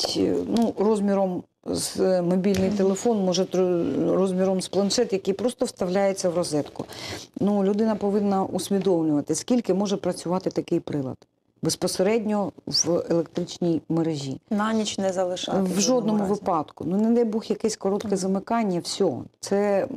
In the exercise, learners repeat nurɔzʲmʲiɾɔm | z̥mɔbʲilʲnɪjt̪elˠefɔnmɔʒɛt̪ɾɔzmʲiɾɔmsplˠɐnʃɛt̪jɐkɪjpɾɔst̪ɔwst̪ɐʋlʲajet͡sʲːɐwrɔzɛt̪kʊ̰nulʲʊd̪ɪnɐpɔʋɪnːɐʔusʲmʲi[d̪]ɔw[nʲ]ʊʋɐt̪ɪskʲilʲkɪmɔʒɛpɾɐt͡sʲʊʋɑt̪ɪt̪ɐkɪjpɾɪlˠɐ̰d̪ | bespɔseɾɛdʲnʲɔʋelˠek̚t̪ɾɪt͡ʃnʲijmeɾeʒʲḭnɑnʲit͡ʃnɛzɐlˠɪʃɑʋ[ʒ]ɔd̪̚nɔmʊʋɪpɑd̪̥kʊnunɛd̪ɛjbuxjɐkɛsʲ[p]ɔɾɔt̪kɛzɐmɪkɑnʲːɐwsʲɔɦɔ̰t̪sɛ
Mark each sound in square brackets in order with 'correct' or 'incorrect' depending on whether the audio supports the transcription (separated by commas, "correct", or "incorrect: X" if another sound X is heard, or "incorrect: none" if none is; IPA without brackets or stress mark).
correct, correct, correct, incorrect: k